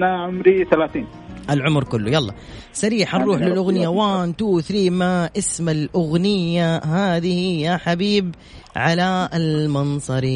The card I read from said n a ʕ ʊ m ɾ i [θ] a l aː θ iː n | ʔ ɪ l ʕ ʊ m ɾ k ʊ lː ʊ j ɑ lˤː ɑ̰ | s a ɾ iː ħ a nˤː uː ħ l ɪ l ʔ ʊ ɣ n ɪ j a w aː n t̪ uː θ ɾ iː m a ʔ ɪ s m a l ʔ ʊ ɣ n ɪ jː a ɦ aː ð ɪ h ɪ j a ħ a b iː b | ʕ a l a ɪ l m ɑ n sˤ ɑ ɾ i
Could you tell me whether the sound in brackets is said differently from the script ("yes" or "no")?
no